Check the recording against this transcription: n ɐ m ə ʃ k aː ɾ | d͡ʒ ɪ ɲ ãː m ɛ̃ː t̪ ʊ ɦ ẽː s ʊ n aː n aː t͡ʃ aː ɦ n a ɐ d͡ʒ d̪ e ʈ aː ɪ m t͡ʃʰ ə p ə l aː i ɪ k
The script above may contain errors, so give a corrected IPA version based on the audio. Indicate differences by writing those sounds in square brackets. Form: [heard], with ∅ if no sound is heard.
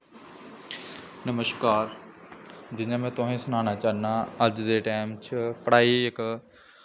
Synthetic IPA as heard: n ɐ m ə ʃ k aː ɾ | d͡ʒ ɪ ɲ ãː m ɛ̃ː t̪ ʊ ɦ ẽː s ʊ n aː n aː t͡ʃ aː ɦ n a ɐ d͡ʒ d̪ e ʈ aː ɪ m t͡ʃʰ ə p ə [ɽ] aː i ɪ k